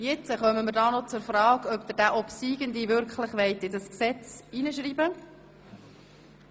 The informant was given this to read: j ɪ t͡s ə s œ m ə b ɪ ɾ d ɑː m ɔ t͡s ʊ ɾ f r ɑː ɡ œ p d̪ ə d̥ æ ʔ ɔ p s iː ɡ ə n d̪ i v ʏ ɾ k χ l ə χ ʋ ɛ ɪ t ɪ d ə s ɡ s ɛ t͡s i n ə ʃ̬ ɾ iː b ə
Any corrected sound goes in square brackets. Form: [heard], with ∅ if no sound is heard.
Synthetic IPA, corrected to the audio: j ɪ t͡s ə [χ] œ m ə [m] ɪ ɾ d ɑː [n] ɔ t͡s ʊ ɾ f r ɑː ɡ œ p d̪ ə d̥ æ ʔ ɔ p s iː ɡ ə n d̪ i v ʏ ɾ k χ l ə χ ʋ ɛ ɪ t ɪ d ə s [k] s ɛ t͡s i n ə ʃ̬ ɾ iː b ə